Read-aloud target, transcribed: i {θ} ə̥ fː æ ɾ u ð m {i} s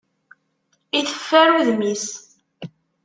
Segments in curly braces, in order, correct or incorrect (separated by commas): correct, correct